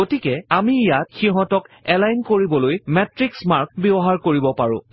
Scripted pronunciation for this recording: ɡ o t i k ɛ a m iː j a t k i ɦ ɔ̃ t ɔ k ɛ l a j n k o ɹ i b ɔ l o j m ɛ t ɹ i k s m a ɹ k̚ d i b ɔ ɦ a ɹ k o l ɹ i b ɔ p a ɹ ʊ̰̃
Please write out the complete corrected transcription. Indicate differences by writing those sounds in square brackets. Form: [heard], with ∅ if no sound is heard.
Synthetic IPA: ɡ o t i k ɛ a m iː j a t [x] i ɦ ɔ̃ t ɔ k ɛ l a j n k o ɹ i b ɔ l o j m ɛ t ɹ i k s m a ɹ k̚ [b] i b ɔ ɦ a ɹ k o [∅] ɹ i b ɔ p a ɹ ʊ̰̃